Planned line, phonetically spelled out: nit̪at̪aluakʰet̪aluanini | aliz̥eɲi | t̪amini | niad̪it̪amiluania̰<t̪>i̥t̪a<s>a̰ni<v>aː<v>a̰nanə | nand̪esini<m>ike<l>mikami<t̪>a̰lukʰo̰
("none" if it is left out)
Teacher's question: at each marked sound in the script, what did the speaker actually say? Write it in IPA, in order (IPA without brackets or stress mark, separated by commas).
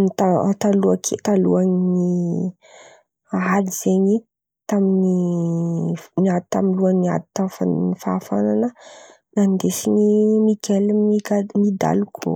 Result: d̪, f, f, f, m, l, d̪